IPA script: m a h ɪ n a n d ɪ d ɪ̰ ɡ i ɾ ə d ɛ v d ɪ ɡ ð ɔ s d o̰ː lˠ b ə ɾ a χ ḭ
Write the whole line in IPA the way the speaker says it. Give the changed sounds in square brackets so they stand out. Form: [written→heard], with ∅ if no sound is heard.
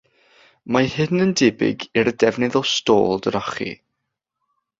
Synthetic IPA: m a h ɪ n [a→ə] n d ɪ [d→b] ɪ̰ ɡ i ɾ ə d ɛ v [d→n] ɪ [ɡ→∅] ð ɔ s [d→t] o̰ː lˠ [b→d] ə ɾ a χ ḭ